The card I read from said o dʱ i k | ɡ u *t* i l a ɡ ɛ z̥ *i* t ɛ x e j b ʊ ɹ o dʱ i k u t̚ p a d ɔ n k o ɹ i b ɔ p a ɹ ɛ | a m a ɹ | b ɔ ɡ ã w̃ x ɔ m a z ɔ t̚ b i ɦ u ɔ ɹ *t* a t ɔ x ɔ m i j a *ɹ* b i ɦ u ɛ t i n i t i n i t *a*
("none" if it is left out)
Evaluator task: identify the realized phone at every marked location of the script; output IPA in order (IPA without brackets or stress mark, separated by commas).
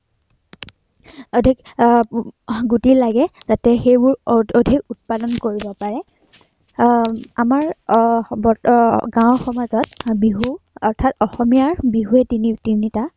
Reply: t, a, tʰ, ɹ, a